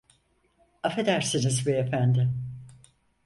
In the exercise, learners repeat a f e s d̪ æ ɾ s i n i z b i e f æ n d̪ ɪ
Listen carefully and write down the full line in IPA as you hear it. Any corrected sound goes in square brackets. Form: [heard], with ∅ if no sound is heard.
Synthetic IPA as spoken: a f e [∅] d̪ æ ɾ s i n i z b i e f æ n d̪ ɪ